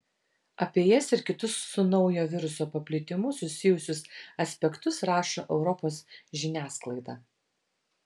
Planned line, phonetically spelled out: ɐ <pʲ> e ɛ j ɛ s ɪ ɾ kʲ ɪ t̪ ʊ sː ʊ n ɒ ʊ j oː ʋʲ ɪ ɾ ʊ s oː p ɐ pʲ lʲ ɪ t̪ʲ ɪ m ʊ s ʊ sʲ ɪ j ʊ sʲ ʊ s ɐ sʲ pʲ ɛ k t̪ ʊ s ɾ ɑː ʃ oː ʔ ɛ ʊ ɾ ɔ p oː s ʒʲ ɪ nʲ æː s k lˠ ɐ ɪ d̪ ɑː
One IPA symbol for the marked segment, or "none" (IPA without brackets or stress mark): pʲ